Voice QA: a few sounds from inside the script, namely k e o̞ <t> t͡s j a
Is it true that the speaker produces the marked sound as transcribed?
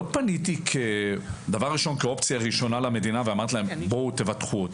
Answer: no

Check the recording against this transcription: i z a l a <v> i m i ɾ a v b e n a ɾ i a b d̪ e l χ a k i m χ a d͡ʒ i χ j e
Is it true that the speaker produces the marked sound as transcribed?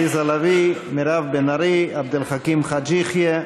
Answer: yes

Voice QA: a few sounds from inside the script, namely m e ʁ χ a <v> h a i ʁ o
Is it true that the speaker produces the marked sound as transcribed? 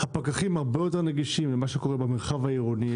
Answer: yes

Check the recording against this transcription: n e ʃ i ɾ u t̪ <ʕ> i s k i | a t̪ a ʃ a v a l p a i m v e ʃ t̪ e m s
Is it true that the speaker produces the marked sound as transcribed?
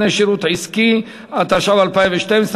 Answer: yes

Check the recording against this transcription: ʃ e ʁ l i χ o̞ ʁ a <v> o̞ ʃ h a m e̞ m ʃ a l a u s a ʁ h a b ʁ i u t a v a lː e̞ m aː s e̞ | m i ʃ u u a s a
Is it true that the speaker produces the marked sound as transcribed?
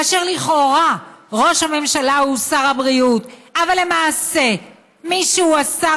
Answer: no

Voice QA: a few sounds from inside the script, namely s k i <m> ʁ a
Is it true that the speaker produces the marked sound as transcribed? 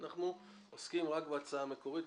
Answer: yes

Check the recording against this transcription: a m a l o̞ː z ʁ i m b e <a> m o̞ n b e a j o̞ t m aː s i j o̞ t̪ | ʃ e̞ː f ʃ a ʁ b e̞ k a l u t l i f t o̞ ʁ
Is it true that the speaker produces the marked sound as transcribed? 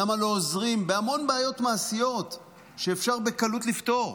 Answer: yes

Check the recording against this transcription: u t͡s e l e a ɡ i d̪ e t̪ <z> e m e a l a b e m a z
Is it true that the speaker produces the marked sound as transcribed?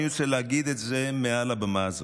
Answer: yes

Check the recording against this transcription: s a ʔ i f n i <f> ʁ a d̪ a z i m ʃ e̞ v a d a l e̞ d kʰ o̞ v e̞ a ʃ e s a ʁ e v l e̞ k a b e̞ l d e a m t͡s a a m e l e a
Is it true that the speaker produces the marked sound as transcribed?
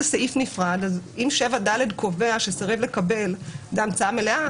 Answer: yes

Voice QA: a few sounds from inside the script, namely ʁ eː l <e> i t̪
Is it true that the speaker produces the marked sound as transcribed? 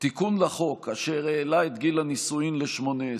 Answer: no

